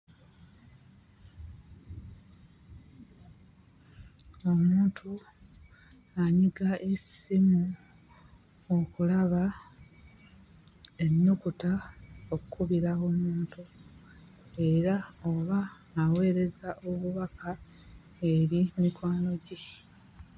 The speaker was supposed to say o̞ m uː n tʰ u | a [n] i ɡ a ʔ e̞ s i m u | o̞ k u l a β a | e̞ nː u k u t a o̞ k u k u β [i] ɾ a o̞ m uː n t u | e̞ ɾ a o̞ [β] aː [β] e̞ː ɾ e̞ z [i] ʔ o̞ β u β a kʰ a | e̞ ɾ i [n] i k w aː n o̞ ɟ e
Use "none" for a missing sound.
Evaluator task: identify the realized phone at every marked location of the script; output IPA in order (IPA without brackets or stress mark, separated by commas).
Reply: ɲ, i, β, w, a, m